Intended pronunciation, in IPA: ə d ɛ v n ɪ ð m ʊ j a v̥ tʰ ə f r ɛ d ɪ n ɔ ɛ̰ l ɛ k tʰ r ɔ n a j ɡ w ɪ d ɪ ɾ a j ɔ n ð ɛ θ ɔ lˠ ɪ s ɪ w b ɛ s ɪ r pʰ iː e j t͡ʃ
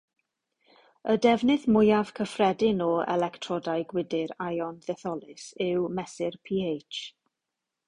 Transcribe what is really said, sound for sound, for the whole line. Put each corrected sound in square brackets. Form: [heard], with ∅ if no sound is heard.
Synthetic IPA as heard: ə d ɛ v n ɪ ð m ʊ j a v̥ [kʰ] ə f r ɛ d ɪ n ɔ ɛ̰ l ɛ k tʰ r ɔ [d] a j ɡ w ɪ d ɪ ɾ a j ɔ n ð ɛ θ ɔ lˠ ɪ s ɪ w [m] ɛ s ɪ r pʰ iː e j t͡ʃ